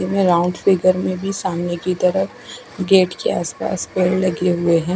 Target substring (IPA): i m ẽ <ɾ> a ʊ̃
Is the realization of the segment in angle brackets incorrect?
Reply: no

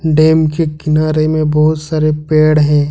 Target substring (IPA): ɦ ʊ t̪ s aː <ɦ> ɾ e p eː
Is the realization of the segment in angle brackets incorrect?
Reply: yes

